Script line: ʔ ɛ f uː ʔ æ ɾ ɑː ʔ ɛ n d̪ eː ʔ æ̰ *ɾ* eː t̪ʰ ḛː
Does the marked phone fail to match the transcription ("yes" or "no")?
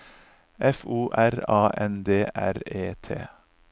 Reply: no